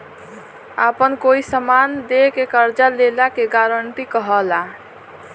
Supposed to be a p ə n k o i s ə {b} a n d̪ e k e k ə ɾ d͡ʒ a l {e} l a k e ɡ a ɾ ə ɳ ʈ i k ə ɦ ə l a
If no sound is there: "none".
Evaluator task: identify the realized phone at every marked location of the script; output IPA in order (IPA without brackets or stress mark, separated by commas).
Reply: m, e